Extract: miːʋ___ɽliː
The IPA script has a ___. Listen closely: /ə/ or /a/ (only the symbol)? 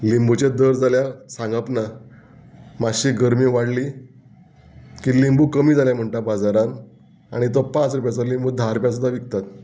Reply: a